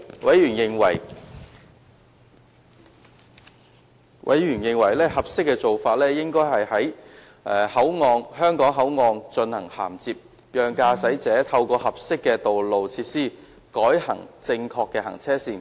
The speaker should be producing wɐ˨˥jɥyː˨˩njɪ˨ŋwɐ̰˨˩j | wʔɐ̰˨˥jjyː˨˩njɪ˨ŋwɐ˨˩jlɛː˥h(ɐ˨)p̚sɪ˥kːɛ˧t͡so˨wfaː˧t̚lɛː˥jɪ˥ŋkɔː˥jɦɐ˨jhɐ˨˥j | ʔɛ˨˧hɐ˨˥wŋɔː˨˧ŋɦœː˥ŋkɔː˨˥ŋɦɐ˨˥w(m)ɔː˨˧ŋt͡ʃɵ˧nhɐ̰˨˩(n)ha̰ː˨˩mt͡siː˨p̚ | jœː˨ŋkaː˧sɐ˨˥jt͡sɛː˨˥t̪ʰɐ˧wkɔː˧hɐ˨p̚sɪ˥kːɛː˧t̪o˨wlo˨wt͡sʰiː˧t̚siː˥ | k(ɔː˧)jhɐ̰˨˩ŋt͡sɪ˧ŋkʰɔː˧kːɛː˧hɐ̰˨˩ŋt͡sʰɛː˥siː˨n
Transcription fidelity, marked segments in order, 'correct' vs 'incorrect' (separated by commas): correct, incorrect, incorrect, incorrect